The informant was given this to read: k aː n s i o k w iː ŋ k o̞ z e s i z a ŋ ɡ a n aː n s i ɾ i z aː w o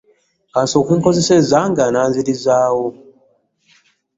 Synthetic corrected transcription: k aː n s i o k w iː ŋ k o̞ z e s e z a ŋ ɡ a n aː n z i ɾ i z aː w o